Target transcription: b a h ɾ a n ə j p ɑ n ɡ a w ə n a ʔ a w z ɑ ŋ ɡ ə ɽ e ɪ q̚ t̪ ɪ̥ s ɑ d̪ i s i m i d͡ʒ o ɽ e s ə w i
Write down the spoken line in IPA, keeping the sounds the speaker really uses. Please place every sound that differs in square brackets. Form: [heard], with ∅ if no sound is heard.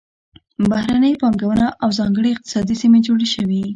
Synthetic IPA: b a h ɾ a n ə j p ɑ [ŋ] ɡ a w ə n a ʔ a w z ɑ ŋ ɡ ə ɽ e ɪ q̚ t̪ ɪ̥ s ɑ d̪ i s i m [e] d͡ʒ o ɽ e [ʃ] ə w i